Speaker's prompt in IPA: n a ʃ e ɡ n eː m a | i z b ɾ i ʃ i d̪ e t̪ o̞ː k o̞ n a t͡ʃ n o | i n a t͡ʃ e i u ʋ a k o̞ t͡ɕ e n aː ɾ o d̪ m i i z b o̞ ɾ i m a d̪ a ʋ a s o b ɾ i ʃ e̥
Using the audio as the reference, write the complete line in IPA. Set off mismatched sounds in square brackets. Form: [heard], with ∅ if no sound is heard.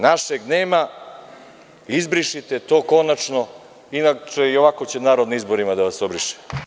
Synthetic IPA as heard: n a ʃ e ɡ n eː m a | i z b ɾ i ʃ i [t̪] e t̪ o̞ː k o̞ n a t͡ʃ n o | i n a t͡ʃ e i [o] ʋ a k o̞ t͡ɕ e n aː ɾ o d̪ [n] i i z b o̞ ɾ i m a d̪ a ʋ a s o b ɾ i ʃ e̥

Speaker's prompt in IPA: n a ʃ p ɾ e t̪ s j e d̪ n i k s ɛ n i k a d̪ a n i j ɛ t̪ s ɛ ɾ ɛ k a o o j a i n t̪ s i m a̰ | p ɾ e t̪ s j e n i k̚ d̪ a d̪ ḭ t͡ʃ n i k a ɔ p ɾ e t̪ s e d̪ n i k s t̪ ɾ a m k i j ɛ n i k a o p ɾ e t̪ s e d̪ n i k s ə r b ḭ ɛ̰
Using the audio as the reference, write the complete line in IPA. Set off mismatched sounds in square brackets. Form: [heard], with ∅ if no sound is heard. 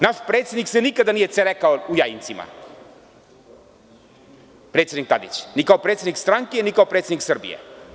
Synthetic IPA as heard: n a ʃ p ɾ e t̪ s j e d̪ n i k s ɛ n i k a d̪ a n i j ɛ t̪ s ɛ ɾ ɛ k a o [u] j a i n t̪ s i m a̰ | p ɾ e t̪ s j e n i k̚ [t̪] a d̪ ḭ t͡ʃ n i k a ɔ p ɾ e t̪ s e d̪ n i k s t̪ ɾ a [ŋ] k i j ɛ n i k a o p ɾ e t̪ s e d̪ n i k s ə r b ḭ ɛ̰

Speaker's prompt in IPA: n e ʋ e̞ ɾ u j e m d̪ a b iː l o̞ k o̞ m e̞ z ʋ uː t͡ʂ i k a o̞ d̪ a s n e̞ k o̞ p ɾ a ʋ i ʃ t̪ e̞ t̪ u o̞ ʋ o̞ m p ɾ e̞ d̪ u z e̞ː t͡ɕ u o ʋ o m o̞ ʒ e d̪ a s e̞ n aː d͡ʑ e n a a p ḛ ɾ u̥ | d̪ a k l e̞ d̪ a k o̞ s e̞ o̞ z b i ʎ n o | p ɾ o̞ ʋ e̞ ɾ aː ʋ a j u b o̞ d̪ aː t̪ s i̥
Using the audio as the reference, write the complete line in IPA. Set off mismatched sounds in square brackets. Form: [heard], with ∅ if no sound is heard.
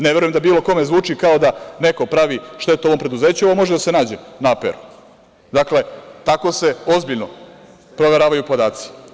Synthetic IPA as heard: n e ʋ e̞ ɾ u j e m d̪ a b iː l o̞ k o̞ m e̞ z ʋ uː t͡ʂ i k a o̞ d̪ a [∅] n e̞ k o̞ p ɾ a ʋ i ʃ t̪ e̞ t̪ u o̞ ʋ o̞ m p ɾ e̞ d̪ u z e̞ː t͡ɕ u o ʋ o m o̞ ʒ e d̪ a s e̞ n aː d͡ʑ e n a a p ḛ ɾ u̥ | d̪ a k l e̞ [t̪] a k o̞ s e̞ o̞ z b i ʎ n o | p ɾ o̞ ʋ e̞ ɾ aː ʋ a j u [p] o̞ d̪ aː t̪ s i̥

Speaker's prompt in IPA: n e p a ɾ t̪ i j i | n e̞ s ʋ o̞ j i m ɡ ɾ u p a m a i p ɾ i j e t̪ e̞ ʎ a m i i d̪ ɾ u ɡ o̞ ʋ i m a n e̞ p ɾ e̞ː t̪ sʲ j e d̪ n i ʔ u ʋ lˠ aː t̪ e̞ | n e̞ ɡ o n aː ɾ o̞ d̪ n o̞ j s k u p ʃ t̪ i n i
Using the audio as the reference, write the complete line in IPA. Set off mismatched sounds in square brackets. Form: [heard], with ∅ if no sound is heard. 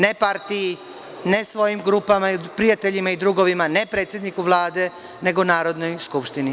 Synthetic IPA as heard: n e p a ɾ t̪ i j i | n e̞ s ʋ o̞ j i m ɡ ɾ u p a m a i p ɾ i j [a] t̪ e̞ ʎ [i] m [a] i d̪ ɾ u ɡ o̞ ʋ i m a n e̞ p ɾ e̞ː t̪ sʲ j e d̪ n i [k] u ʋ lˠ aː [d̪] e̞ | n e̞ ɡ o n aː ɾ o̞ d̪ n o̞ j s k u p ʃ t̪ i n i

